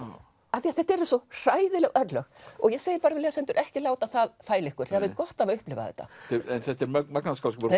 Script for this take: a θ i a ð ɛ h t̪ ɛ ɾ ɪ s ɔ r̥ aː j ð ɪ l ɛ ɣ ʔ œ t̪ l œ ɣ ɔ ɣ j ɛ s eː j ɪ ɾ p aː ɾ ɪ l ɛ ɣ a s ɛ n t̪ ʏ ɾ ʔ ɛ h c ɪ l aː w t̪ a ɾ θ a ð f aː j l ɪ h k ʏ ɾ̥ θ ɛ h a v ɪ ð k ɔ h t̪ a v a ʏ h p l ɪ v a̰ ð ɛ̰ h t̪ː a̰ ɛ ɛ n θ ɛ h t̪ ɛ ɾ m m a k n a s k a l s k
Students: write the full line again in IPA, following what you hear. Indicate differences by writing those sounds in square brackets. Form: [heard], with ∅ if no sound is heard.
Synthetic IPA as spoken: a θ i a [θ] ɛ h t̪ ɛ ɾ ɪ s ɔ r̥ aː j ð ɪ l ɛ ɣ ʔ œ t̪ l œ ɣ ɔ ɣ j ɛ s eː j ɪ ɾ p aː ɾ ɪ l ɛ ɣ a s ɛ n t̪ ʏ ɾ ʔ ɛ h c ɪ l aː w t̪ a [∅] θ a ð f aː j l ɪ h k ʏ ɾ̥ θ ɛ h a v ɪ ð k ɔ h t̪ a v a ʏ h p l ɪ v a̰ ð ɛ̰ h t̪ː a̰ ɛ ɛ n θ ɛ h t̪ ɛ ɾ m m a k n a s k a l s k